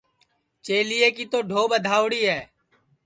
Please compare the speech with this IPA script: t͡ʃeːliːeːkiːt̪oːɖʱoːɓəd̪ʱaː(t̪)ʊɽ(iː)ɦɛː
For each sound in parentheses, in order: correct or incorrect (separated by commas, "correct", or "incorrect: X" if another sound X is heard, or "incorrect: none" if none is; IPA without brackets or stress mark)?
incorrect: none, correct